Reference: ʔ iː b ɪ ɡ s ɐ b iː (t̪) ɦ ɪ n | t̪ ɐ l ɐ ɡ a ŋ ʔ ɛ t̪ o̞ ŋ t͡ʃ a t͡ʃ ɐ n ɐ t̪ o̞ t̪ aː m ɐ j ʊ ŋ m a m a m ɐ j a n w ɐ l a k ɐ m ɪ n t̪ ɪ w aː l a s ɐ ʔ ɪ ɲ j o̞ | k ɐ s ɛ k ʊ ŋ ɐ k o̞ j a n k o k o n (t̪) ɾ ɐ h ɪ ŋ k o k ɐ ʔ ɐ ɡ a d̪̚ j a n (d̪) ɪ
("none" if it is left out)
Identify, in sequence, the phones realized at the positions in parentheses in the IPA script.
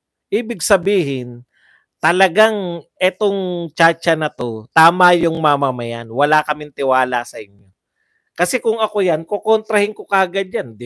none, t̪, d̪

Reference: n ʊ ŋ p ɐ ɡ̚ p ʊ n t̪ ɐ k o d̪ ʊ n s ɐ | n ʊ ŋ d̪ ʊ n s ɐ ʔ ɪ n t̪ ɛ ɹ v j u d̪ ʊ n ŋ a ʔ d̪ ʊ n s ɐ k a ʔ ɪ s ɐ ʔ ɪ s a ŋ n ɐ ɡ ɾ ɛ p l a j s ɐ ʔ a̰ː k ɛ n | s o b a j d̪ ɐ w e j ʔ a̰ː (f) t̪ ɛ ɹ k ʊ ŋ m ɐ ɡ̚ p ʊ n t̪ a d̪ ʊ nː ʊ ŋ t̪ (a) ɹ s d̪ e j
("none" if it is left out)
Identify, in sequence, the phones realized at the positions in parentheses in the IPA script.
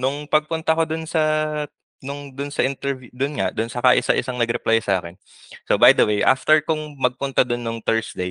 f, ɛ

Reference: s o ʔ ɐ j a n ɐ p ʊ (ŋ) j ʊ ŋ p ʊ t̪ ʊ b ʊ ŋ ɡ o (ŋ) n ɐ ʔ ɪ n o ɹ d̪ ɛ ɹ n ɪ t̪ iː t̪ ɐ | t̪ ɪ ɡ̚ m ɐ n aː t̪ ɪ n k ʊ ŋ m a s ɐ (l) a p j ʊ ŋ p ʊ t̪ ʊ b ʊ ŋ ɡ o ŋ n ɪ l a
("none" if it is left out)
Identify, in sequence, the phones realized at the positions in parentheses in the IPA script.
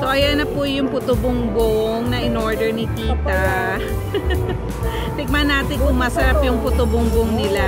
none, ŋ, ɾ

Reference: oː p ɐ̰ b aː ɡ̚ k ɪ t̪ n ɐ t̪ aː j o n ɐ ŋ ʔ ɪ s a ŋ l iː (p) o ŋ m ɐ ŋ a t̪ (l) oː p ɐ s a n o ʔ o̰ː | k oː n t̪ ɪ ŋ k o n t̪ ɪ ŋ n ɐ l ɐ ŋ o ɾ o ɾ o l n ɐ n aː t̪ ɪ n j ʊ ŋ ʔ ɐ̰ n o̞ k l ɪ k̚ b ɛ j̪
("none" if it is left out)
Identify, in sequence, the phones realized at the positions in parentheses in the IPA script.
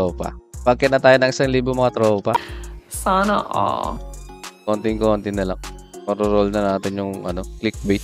b, ɾ

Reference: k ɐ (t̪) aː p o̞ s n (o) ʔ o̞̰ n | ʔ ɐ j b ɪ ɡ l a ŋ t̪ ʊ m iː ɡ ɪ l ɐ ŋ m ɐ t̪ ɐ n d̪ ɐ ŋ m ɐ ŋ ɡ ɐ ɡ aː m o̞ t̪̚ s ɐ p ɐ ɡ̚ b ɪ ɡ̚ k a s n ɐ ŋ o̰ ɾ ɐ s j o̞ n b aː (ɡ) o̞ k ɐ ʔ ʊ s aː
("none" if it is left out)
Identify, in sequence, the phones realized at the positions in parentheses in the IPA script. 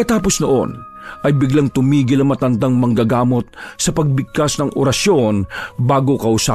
t̪, o, ɡ

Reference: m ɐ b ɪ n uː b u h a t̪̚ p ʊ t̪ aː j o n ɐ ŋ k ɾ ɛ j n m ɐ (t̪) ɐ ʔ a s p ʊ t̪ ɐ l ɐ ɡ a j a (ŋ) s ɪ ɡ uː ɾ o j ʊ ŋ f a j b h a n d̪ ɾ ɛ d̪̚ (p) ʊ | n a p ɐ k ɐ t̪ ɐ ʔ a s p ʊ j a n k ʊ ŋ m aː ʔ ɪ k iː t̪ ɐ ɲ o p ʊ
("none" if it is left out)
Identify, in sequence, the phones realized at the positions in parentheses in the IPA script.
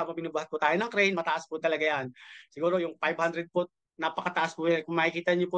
t̪, n, p

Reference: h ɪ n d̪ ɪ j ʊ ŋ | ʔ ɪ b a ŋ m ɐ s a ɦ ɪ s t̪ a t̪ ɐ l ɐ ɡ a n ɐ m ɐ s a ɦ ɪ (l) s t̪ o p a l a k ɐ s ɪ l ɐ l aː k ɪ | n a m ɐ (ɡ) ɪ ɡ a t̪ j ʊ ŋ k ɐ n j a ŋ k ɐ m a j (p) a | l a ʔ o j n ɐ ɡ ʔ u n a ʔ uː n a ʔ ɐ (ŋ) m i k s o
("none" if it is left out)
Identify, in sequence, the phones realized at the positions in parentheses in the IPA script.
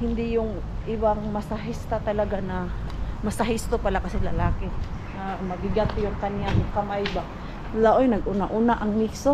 none, ɡ, b, ŋ

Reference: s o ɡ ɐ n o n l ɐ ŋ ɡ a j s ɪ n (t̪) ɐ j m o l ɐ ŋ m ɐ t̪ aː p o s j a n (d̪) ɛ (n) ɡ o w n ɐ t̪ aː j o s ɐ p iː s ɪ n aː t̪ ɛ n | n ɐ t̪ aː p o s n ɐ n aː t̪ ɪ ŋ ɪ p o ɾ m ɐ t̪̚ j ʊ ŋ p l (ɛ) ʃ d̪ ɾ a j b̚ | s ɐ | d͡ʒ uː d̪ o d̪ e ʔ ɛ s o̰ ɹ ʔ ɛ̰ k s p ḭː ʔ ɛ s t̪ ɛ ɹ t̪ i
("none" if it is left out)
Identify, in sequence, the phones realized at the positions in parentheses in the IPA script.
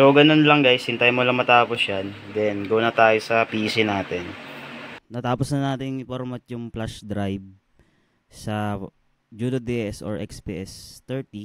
t̪, d̪, n, a

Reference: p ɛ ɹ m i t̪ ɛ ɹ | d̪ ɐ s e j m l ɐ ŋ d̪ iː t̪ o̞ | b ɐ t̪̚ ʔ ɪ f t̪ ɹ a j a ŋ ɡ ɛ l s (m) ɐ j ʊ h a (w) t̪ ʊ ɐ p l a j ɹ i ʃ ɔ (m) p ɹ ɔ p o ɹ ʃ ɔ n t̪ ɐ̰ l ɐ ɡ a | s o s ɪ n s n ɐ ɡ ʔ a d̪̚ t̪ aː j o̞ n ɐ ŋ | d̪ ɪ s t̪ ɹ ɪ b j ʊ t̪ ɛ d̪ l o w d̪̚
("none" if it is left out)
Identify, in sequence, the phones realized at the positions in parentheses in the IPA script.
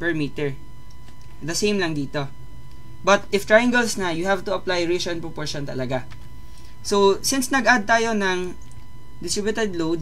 n, v, n

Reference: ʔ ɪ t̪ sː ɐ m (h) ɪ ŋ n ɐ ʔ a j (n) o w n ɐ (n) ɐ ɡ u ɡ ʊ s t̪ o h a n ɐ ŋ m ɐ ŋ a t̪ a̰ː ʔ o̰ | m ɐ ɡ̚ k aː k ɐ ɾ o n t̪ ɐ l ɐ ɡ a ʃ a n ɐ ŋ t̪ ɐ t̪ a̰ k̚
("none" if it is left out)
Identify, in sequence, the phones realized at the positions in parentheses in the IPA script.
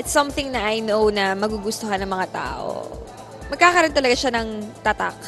θ, n, m

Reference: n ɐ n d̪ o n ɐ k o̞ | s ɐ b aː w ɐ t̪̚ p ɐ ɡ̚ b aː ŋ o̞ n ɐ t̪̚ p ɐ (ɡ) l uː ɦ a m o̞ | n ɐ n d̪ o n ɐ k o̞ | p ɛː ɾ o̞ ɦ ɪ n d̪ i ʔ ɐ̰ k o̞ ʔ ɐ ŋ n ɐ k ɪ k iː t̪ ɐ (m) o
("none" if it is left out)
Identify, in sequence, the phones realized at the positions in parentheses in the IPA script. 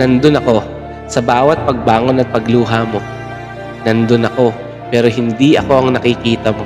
ɡ, m

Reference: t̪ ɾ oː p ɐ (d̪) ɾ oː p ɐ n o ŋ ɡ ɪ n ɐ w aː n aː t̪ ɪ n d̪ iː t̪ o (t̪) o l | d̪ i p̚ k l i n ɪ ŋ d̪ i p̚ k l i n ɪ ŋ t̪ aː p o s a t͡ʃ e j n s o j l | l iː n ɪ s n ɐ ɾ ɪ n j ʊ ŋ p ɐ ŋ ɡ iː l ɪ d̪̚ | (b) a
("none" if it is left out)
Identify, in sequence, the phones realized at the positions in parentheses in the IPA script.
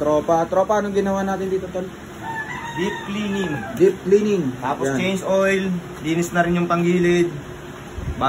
t̪, t̪, b

